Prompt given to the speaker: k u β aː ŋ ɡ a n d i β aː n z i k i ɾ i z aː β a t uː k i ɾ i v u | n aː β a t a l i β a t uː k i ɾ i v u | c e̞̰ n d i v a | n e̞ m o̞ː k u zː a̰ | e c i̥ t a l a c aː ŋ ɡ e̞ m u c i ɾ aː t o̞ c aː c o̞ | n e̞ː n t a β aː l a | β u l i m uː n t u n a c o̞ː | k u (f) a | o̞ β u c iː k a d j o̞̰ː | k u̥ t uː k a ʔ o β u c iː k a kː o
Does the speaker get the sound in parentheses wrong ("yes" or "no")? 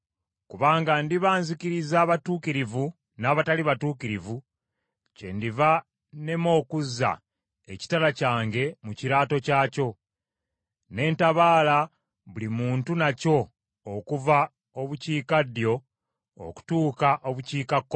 yes